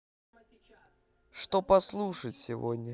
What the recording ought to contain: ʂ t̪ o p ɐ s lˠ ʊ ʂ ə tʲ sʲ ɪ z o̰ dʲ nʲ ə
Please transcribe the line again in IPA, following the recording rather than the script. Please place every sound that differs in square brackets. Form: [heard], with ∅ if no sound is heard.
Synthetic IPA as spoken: ʂ t̪ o p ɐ s lˠ [u] ʂ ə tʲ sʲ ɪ [v] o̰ dʲ nʲ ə